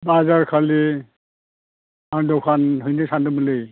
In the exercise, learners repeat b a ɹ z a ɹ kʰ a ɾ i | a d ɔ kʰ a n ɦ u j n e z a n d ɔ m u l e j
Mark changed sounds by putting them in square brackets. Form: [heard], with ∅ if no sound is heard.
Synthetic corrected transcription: b a [∅] z a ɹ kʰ a [l] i | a d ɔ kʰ a n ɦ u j n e [s] a n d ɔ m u l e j